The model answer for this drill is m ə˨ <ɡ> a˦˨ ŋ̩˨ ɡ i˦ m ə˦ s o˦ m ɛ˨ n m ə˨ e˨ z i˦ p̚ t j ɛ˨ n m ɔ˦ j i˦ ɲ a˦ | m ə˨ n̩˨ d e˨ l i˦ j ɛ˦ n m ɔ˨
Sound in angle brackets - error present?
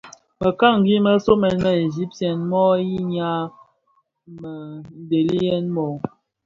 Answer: yes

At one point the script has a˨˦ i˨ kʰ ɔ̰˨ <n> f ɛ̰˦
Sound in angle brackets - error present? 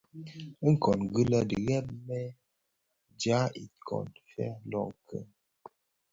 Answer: no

